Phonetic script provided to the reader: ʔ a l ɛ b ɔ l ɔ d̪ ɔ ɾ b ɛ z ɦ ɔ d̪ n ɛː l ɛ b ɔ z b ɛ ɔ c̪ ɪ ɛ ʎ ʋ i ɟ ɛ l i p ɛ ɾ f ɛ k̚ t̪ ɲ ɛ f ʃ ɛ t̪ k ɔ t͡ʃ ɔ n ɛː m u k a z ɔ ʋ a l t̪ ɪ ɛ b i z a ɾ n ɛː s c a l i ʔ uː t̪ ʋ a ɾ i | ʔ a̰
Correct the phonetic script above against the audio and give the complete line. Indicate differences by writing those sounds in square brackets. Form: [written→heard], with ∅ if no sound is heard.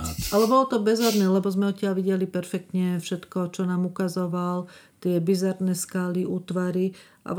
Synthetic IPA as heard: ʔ a l ɛ b ɔ l ɔ [d̪→t̪] ɔ [ɾ→∅] b ɛ z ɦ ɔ d̪ n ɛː l ɛ b ɔ z [b→m] ɛ ɔ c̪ ɪ [ɛ→a] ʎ ʋ i ɟ ɛ l i p ɛ ɾ f ɛ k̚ t̪ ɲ ɛ f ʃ ɛ t̪ k ɔ t͡ʃ ɔ n [ɛː→aː] m u k a z ɔ ʋ a l t̪ ɪ ɛ b i z a ɾ n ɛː s [c→k] a l i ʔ uː t̪ ʋ a ɾ i | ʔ a̰